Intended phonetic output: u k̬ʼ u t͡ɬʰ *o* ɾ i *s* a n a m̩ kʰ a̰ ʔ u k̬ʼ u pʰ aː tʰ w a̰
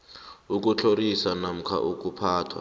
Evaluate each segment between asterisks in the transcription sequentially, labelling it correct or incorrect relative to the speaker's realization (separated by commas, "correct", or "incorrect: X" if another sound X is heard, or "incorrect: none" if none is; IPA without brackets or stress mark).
correct, correct